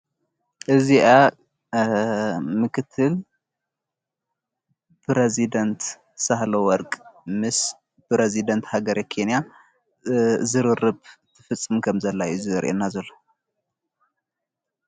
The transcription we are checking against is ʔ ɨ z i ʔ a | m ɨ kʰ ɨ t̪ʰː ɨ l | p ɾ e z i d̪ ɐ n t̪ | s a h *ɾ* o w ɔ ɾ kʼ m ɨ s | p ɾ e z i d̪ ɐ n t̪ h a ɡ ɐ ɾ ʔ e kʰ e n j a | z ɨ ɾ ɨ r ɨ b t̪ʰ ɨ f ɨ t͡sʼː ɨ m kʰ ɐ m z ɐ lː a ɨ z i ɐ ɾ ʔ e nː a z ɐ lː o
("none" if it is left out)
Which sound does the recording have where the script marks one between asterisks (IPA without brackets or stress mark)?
l